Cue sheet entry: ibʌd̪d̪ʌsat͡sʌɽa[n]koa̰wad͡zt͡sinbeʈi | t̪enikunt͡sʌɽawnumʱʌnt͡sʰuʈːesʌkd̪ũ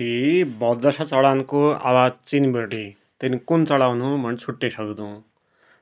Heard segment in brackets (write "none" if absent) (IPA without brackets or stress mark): n